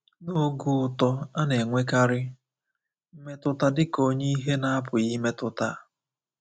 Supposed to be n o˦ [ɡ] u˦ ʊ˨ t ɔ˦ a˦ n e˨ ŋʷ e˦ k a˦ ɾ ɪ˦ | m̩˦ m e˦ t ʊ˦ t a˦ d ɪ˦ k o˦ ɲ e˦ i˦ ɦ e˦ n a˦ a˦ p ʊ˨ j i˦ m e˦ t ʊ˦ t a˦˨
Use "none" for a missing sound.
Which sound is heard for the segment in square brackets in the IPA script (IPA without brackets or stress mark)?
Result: ɡ